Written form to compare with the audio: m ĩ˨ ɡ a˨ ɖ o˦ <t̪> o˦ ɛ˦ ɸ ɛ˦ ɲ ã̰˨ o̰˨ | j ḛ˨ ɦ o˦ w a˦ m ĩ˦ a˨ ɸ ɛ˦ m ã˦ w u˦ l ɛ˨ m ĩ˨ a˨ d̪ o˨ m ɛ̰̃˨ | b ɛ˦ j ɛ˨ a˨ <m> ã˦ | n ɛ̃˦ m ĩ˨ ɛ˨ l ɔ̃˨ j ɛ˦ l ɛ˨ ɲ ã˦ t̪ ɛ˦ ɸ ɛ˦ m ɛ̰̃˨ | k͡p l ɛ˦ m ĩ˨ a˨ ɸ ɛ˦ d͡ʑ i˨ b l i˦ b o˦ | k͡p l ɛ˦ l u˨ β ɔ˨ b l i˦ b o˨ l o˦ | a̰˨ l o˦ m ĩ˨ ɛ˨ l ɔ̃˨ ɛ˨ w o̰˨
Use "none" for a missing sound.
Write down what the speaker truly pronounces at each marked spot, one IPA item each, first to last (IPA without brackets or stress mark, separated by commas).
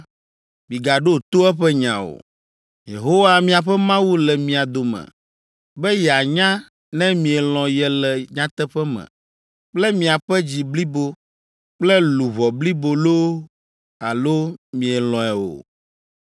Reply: t̪, ɲ